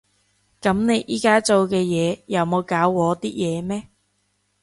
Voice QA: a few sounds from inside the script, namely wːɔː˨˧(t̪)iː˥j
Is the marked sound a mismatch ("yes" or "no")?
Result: no